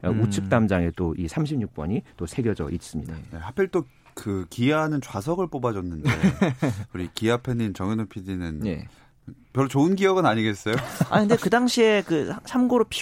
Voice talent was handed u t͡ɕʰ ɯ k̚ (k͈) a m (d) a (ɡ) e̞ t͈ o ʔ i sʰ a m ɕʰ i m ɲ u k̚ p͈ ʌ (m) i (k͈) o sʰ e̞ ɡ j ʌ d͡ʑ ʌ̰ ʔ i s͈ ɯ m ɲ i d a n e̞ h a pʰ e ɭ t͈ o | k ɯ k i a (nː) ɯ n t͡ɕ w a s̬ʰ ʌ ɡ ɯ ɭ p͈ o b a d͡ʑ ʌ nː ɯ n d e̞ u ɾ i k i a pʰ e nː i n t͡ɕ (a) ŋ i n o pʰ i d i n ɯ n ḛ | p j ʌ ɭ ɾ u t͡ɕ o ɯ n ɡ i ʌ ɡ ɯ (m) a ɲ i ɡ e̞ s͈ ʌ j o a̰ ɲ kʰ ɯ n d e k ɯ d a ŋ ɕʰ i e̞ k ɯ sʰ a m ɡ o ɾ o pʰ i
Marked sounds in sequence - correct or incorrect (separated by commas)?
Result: incorrect, incorrect, incorrect, incorrect, incorrect, incorrect, incorrect, incorrect